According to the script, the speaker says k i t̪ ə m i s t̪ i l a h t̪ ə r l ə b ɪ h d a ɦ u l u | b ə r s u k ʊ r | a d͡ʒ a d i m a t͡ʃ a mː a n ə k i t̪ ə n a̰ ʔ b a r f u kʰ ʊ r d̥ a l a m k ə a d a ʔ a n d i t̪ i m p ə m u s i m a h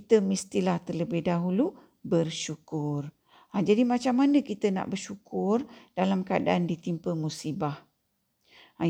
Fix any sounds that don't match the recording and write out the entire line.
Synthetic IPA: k i t̪ ə m i s t̪ i l a h t̪ ə r l ə b ɪ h d a ɦ u l u | b ə r ʃ u k ʊ r | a d͡ʒ a d i m a t͡ʃ a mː a n ə k i t̪ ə n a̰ ʔ b ə r ʃ u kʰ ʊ r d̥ a l a m k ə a d a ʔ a n d i t̪ i m p ə m u s i b a h